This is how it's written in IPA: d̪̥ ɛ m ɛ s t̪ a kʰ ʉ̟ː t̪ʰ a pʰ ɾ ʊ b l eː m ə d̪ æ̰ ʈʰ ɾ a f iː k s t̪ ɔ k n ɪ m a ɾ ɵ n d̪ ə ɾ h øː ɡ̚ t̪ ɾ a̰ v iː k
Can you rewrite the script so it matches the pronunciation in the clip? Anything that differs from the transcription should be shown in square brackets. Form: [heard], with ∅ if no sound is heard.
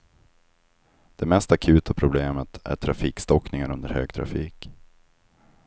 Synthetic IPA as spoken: d̪̥ ɛ m ɛ s t̪ a kʰ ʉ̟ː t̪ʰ a pʰ ɾ ʊ b l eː m ə [t̪] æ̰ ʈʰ ɾ a f iː k s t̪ ɔ k n ɪ [ŋ] a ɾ ɵ n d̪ ə ɾ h øː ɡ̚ [t̪ʰ] ɾ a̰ [f] iː k

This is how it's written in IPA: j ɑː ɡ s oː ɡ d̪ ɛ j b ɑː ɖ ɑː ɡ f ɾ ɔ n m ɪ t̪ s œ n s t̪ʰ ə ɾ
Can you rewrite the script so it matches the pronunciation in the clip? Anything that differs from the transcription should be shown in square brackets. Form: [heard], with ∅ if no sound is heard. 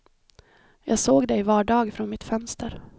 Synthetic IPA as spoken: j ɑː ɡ s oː ɡ d̪ ɛ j [v] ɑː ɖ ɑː ɡ f ɾ ɔ n m ɪ t̪ [f] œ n s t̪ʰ ə ɾ

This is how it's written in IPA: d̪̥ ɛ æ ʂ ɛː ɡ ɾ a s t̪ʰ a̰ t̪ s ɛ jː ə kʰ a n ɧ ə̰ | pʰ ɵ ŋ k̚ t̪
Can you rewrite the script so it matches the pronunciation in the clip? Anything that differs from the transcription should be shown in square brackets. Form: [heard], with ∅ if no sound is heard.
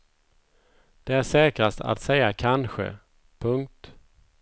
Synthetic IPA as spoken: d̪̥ ɛ æ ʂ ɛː [k] ɾ a s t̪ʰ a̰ t̪ s ɛ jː [a] kʰ a n ɧ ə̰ | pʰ ɵ ŋ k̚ t̪

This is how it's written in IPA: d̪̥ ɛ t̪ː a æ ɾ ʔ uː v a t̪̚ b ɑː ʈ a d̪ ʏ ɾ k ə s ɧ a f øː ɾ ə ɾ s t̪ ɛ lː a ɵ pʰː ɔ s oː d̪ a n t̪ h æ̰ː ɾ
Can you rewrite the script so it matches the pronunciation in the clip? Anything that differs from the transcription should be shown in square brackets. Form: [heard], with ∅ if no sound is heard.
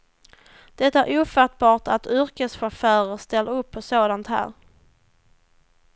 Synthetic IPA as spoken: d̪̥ ɛ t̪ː a æ ɾ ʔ uː [f] a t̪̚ b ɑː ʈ a [t̪] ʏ ɾ k ə s ɧ a f [œː] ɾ ə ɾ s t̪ ɛ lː a ɵ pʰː ɔ s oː d̪ a n t̪ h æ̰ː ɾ

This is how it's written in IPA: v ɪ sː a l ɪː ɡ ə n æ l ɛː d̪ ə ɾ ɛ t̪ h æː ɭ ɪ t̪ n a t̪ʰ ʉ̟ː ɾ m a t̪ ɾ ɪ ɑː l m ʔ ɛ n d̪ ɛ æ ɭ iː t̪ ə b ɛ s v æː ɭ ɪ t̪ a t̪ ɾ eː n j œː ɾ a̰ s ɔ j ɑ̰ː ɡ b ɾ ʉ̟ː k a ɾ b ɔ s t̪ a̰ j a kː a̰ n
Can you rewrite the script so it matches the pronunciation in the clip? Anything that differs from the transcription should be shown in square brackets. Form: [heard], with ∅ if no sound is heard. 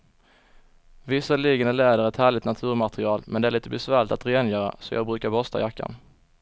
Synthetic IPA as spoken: v ɪ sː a l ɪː ɡ ə n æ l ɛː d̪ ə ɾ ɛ t̪ h æː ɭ ɪ t̪ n a t̪ʰ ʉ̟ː ɾ m a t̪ ɾ ɪ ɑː l m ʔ ɛ n d̪ ɛ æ ɭ iː t̪ ə b ɛ s v æː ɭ ɪ t̪ a t̪ ɾ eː n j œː ɾ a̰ s ɔ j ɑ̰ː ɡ b ɾ ʉ̟ː k a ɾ b ɔ s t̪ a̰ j a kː a̰ n

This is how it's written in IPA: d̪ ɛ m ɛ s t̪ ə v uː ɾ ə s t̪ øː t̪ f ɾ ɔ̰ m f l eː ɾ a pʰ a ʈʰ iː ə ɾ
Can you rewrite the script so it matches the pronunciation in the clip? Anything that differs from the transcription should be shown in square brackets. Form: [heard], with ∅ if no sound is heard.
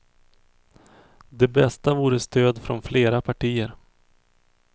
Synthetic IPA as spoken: d̪ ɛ [b] ɛ s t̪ [a] v uː ɾ ə s t̪ øː [d̪] f ɾ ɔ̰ [n] f l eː ɾ a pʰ a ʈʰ iː ə ɾ

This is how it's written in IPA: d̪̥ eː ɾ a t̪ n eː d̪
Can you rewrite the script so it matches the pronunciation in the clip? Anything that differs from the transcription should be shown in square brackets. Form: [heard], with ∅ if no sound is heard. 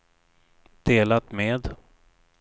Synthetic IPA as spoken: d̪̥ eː [l] a t̪ [m] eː d̪

